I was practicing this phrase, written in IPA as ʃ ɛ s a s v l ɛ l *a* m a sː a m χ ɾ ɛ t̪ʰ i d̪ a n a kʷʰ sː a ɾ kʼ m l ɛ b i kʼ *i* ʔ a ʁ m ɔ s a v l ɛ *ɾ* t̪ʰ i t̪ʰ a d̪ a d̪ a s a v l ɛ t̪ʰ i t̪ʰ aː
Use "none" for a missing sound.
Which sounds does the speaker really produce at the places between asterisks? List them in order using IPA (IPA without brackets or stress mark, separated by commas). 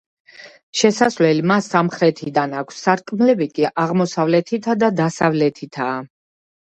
i, i, none